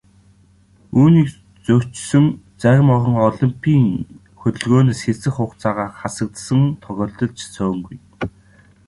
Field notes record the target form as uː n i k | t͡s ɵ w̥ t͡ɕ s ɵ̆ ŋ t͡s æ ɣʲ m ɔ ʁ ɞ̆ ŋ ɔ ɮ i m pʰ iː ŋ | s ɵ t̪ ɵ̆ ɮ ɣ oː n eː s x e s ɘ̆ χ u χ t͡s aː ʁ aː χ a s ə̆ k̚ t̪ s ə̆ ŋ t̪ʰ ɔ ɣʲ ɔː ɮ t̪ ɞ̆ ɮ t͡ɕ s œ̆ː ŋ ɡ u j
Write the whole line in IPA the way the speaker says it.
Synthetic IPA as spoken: uː n iː k | t͡s ɵ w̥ t͡ɕ s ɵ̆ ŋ t͡s æ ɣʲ m ɔ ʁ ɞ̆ ŋ ɔ ɮ i m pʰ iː ŋ | x ɵ t̪ ɵ̆ ɮ ɣ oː n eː s x e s ɘ̆ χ ʊ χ t͡s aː ʁ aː χ a s ə̆ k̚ t̪ s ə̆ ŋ t̪ʰ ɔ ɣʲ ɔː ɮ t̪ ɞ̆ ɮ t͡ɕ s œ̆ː ŋ ɡ u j